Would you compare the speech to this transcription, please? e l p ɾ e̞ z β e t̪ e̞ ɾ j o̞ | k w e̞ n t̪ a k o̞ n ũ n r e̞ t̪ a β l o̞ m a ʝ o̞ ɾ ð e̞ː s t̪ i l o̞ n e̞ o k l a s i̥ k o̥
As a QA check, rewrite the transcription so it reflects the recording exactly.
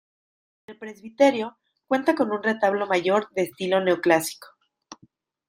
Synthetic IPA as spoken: e l p ɾ e̞ z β i t̪ e̞ ɾ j o̞ | k w e̞ n t̪ a k o̞ n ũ n r e̞ t̪ a β l o̞ m a ʝ o̞ ɾ ð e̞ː s t̪ i l o̞ n e̞ o k l a s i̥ k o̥